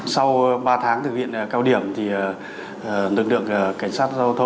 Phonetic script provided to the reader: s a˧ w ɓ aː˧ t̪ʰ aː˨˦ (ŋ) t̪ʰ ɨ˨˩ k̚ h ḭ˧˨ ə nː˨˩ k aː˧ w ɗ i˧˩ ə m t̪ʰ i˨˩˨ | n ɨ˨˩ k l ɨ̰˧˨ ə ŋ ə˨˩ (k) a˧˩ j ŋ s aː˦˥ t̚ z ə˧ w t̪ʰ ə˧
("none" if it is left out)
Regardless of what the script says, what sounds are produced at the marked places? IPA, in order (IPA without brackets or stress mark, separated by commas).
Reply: ŋ, k